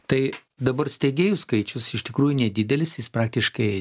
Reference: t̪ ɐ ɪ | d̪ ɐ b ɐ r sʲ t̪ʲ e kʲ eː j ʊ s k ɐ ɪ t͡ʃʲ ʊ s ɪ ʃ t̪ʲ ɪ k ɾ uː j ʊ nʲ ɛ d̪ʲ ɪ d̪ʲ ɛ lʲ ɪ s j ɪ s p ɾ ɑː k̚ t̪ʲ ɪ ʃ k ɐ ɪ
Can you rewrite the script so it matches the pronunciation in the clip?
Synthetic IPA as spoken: t̪ ɐ ɪ | d̪ ɐ b ɐ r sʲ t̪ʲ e ɡʲ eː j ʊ s k ɐ ɪ t͡ʃʲ ʊ s ɪ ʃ t̪ʲ ɪ k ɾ uː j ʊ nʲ ɛ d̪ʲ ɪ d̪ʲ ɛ lʲ ɪ s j ɪ s p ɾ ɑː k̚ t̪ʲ ɪ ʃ k ɐ ɪ